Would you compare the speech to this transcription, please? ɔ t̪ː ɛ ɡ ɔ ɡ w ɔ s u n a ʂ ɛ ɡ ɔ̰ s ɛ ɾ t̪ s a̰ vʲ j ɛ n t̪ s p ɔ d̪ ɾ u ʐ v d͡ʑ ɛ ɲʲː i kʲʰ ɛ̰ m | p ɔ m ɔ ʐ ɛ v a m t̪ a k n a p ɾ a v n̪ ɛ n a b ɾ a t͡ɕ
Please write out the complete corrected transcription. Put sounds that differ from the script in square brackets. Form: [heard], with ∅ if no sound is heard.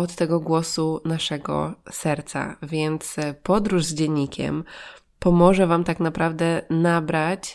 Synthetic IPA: ɔ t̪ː ɛ ɡ ɔ ɡ w ɔ s u n a ʂ ɛ ɡ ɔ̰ s ɛ ɾ t̪ s a̰ vʲ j ɛ n t̪ s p ɔ d̪ ɾ u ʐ [z] d͡ʑ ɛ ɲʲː i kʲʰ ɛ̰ m | p ɔ m ɔ ʐ ɛ v a m t̪ a k n a p ɾ a v [d̪] ɛ n a b ɾ a t͡ɕ